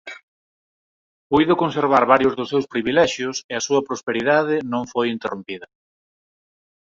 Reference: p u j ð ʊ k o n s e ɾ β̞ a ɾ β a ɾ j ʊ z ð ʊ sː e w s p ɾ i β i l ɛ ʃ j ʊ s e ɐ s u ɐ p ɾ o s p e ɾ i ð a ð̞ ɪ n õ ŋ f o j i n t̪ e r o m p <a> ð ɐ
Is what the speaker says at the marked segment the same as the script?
no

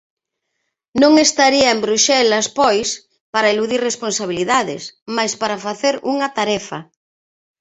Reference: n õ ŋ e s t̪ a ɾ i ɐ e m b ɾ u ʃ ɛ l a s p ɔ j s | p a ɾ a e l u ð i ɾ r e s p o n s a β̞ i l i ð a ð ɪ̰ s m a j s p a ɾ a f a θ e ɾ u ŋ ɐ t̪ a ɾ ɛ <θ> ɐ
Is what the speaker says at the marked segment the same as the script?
no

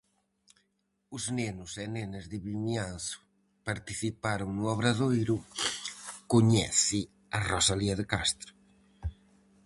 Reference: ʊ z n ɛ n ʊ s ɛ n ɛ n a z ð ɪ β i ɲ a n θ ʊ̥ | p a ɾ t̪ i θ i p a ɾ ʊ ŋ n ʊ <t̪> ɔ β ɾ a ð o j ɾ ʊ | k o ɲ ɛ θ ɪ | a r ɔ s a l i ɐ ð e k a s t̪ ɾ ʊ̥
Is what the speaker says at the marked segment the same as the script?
no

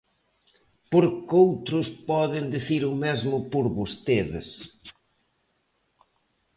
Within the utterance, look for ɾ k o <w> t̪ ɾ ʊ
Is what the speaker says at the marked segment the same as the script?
yes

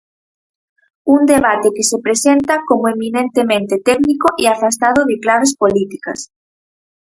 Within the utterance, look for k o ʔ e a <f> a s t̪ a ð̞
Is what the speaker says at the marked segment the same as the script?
yes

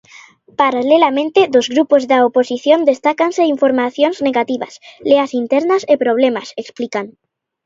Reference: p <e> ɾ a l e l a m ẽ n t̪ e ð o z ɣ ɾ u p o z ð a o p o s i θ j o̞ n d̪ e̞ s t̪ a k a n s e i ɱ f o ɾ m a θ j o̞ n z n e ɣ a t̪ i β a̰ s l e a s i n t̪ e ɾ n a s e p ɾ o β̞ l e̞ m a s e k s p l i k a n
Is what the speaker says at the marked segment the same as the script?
no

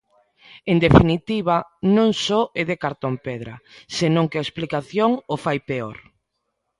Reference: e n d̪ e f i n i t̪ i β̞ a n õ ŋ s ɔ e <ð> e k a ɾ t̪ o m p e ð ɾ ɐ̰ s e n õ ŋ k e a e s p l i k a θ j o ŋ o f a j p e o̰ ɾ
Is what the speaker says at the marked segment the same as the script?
yes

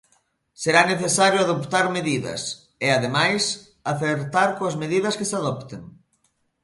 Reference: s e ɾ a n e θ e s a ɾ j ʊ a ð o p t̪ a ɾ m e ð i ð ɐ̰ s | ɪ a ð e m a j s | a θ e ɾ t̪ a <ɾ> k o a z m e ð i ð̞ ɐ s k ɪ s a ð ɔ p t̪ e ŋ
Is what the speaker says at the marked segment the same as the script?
yes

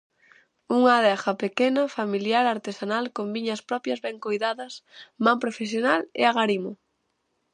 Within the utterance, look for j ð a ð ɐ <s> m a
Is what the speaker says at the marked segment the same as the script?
yes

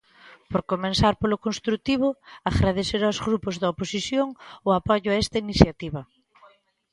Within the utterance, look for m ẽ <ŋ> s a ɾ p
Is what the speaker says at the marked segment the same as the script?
no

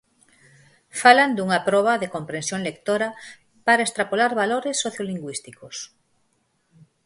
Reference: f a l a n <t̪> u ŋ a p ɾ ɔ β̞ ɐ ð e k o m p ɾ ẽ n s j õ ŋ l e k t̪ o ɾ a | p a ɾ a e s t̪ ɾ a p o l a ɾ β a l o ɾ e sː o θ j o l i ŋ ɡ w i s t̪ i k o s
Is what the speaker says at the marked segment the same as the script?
no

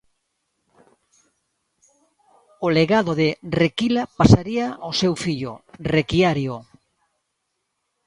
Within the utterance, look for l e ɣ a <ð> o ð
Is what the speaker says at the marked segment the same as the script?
yes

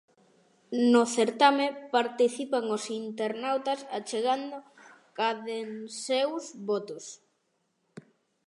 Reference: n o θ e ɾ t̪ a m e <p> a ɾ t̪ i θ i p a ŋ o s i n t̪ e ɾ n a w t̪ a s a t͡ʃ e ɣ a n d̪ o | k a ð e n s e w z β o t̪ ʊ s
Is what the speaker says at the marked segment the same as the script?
yes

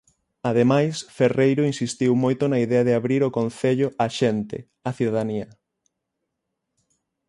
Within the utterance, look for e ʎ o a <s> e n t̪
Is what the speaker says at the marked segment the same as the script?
no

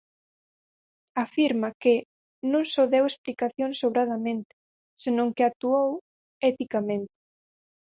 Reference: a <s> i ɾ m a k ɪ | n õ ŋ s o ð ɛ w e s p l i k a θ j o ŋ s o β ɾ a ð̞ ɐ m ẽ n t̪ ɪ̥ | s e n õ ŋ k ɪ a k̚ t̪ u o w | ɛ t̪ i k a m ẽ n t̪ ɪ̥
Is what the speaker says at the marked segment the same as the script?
no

